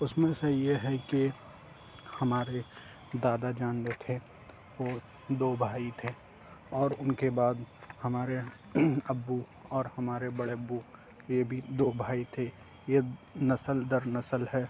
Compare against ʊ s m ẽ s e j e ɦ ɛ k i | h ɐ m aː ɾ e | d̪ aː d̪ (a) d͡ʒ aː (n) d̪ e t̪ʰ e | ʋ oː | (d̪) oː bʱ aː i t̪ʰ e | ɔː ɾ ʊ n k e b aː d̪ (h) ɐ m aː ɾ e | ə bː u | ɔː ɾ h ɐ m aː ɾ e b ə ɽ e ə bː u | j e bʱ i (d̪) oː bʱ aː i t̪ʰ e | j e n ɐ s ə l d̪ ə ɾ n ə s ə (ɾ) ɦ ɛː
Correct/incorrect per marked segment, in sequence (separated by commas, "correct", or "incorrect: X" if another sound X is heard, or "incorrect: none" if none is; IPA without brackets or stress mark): correct, correct, correct, correct, correct, incorrect: l